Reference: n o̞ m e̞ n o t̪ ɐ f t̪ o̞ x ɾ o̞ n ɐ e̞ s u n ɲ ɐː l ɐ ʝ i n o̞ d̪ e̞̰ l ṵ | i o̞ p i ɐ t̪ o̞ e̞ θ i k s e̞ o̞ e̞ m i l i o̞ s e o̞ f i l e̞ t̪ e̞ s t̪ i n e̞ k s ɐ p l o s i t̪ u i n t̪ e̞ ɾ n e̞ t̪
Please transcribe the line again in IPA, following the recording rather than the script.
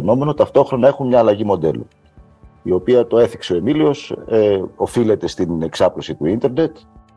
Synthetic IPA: n o̞ m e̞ n o t̪ ɐ f t̪ o̞ x ɾ o̞ n ɐ e̞ x u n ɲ ɐː l ɐ ʝ i m o̞ d̪ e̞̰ l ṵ | i o̞ p i ɐ t̪ o̞ e̞ θ i k s e̞ o̞ e̞ m i l i o̞ s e o̞ f i l e̞ t̪ e̞ s t̪ i n e̞ k s ɐ p l o s i t̪ u i n t̪ e̞ ɾ n e̞ t̪